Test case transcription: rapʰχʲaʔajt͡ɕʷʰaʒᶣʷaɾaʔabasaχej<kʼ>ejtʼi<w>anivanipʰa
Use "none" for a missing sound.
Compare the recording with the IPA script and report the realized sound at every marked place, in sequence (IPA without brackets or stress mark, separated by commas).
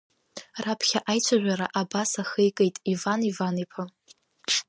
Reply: kʼ, v